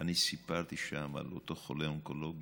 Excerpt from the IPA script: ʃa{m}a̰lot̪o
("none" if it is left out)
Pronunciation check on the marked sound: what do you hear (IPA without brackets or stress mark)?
m